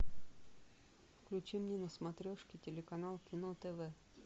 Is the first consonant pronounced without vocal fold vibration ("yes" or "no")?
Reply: yes